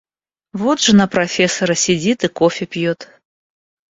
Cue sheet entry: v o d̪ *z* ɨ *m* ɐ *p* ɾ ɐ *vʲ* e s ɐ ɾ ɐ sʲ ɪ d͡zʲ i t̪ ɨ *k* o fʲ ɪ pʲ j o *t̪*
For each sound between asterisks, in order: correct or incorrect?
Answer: incorrect: ʐ, incorrect: n, correct, incorrect: fʲ, correct, correct

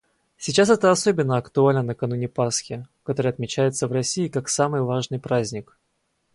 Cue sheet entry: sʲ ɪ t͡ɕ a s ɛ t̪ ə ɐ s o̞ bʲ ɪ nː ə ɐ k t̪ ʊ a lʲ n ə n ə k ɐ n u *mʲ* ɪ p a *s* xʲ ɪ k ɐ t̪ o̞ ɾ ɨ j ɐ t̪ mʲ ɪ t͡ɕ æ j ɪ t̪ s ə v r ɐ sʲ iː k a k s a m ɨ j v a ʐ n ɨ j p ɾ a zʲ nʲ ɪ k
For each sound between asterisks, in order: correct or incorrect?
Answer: incorrect: nʲ, correct

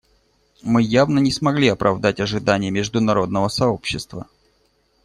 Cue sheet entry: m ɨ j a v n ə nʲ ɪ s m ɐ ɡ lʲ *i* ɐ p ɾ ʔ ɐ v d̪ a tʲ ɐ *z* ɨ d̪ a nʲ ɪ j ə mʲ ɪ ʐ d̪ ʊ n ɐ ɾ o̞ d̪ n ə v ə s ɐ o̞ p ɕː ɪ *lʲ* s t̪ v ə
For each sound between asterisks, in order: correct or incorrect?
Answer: correct, incorrect: ʐ, incorrect: none

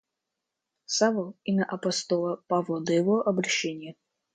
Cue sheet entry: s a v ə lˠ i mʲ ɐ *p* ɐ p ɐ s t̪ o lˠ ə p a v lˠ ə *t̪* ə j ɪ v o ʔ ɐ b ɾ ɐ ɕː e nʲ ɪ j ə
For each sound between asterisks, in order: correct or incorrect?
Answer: incorrect: ʔ, incorrect: d̪

